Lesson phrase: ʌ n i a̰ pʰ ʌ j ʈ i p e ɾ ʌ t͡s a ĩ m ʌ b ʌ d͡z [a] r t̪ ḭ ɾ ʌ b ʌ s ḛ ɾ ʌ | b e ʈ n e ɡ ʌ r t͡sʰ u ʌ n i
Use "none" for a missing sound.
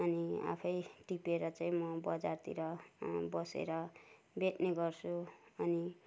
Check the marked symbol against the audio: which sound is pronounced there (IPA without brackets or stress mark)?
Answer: a